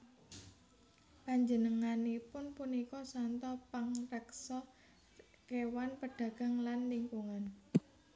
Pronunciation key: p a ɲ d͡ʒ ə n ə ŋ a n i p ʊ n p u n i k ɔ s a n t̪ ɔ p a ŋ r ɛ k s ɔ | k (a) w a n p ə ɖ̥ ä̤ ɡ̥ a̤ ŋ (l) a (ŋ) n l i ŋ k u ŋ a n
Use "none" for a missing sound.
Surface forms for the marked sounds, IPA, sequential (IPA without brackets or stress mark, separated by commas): e, l, none